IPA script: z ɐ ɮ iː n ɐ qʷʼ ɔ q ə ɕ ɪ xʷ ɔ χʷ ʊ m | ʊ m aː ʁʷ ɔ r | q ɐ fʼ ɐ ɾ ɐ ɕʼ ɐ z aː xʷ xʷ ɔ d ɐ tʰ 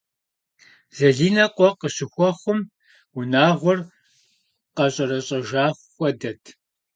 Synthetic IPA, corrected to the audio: z ɐ ɮ iː n ɐ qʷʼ ɔ q ə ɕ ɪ xʷ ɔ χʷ ʊ m | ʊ n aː ʁʷ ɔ r | q ɐ ɕʼ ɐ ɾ ɐ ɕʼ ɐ ʒ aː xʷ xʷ ɔ d ɐ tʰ